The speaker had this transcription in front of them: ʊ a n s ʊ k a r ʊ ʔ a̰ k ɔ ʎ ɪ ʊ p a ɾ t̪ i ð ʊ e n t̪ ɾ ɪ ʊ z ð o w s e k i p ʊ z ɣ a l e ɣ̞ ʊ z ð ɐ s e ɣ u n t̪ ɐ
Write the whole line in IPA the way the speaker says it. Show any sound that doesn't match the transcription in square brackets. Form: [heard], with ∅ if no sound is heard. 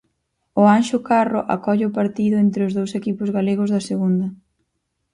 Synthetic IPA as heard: ʊ a n [ʃ] ʊ k a r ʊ ʔ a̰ k ɔ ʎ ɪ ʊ p a ɾ t̪ i ð ʊ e n t̪ ɾ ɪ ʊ z ð o w s e k i p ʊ z ɣ a l e ɣ̞ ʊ z ð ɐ s e ɣ u n [d̪] ɐ